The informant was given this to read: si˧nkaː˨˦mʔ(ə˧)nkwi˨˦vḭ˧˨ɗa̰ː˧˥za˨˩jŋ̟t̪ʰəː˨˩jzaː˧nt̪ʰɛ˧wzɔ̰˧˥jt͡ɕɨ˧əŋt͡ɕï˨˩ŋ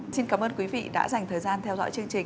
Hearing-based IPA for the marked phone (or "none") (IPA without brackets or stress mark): əː˧